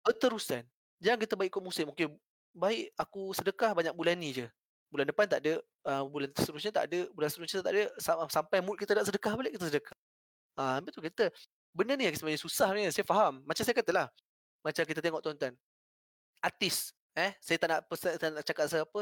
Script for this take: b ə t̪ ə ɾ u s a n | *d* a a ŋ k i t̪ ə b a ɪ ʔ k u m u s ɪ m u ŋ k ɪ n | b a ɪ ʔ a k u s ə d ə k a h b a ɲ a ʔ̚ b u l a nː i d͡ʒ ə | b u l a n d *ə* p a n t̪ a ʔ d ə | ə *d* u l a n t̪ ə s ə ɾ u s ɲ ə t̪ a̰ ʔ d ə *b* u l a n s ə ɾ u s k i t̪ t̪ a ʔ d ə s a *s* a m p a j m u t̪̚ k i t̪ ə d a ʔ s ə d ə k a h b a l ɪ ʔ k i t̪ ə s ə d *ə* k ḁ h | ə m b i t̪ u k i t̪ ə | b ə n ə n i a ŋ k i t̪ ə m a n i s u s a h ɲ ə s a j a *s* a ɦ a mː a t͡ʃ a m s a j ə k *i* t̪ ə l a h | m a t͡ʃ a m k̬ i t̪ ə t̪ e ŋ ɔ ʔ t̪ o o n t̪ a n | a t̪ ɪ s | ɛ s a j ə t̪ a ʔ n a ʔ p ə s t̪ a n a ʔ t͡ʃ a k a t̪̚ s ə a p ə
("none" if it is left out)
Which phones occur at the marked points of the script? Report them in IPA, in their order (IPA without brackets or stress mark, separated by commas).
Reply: d͡ʒ, ə, b, b, s, ə, f, a